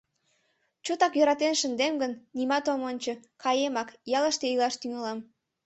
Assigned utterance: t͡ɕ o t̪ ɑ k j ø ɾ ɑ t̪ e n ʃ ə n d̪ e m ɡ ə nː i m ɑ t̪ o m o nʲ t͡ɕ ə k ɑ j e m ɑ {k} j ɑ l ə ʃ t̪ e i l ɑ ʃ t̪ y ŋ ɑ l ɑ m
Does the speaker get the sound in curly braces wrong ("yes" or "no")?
no